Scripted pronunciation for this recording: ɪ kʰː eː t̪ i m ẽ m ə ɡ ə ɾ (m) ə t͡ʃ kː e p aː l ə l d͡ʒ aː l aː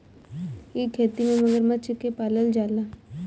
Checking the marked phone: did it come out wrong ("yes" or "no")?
no